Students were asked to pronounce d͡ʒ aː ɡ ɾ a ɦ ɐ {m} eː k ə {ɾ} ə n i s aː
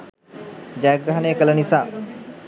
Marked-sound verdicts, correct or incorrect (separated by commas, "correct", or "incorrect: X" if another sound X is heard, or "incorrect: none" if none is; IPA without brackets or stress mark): incorrect: n, incorrect: l